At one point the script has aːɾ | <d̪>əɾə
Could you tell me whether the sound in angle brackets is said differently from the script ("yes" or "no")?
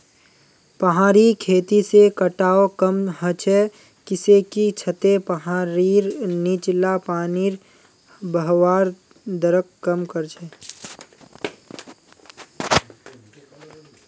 no